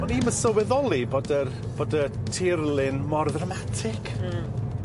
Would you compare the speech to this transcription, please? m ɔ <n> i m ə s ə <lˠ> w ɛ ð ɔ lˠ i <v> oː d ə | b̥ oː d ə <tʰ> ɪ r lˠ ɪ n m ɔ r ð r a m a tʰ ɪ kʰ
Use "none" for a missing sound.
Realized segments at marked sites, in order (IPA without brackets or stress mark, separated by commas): n, none, b, tʰ